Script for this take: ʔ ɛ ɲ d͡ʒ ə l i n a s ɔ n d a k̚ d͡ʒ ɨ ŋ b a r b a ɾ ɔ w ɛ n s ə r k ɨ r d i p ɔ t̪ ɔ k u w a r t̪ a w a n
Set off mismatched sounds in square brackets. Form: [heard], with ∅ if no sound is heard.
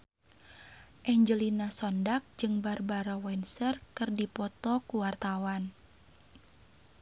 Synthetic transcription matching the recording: ʔ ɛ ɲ d͡ʒ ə l i n a s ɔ n d a k̚ d͡ʒ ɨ ŋ b a r b a ɾ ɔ w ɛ n s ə r k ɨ r d i p ɔ t̪ ɔ k u w a r t̪ a w a n